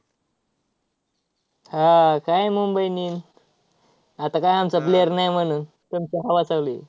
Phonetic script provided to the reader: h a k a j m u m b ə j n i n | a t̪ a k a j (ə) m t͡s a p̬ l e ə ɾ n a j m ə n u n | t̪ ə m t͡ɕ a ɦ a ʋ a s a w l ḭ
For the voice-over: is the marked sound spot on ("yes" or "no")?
no